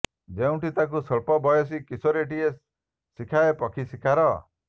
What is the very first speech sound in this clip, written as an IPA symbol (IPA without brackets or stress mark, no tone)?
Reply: d͡ʒ